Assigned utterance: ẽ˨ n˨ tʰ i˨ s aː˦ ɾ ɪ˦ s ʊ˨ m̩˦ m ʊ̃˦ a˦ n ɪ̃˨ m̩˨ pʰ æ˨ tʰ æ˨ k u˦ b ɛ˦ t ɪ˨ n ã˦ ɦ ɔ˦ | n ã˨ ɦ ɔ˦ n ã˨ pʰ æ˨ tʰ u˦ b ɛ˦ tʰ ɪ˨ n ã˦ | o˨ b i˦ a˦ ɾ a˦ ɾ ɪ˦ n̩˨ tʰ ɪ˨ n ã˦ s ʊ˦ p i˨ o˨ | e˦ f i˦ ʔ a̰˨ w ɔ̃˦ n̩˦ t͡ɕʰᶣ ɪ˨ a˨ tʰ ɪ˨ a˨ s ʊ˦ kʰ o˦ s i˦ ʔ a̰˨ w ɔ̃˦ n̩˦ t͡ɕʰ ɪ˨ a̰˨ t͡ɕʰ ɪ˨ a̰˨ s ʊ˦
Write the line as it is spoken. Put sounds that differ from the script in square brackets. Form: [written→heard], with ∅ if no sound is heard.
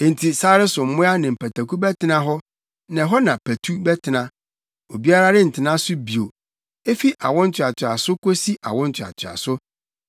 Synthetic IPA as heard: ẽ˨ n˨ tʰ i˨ s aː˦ ɾ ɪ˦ s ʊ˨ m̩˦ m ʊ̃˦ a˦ n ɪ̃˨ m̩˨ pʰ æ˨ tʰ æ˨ k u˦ b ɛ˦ t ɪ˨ n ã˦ ɦ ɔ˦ | n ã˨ ɦ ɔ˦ n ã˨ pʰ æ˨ tʰ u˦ b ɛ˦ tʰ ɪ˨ n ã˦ | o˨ b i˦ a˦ ɾ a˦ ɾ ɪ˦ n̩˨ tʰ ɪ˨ n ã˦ s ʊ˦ [p→b] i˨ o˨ | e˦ f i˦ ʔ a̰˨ w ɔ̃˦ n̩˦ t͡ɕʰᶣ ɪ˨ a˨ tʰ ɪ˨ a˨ s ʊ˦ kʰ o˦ s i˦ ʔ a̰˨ w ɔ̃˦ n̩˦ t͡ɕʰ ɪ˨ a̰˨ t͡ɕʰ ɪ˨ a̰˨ s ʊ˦